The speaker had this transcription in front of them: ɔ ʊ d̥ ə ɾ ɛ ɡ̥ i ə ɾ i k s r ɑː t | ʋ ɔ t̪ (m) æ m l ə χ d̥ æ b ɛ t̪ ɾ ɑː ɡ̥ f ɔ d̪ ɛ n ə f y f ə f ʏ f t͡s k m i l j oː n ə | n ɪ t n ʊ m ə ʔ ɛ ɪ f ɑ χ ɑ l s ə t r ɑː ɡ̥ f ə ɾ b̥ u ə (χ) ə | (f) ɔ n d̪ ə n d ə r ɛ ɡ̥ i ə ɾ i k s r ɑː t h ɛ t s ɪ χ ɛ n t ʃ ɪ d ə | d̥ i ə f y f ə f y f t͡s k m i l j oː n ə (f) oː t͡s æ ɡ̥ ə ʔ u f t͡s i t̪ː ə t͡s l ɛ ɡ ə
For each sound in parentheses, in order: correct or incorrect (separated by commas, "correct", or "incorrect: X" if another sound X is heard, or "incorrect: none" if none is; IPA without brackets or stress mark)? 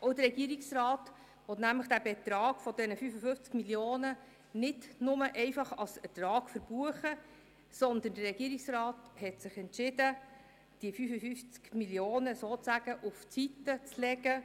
incorrect: n, correct, incorrect: s, incorrect: s